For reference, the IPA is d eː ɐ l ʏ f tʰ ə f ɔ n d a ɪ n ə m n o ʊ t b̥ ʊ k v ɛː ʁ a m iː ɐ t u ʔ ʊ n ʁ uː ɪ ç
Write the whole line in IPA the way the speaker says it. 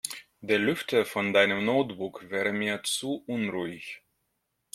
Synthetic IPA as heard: d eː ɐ l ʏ f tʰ ə f ɔ n d a ɪ n ə m n o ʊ t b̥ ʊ k v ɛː ʁ ə m iː ɐ t͡s u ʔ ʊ n ʁ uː ɪ ç